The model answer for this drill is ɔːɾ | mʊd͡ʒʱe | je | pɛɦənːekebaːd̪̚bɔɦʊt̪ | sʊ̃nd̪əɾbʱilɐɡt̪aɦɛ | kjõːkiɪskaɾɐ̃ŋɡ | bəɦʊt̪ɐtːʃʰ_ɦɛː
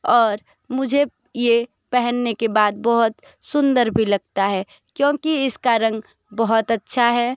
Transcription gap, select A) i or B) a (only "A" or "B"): B